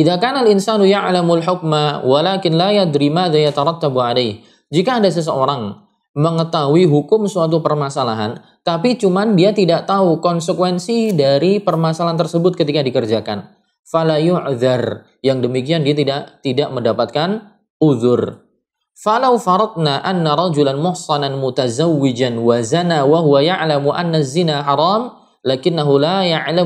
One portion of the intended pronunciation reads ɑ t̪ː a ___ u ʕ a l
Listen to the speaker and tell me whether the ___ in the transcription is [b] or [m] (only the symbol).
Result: b